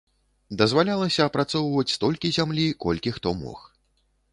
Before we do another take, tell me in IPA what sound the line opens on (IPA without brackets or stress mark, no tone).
d̪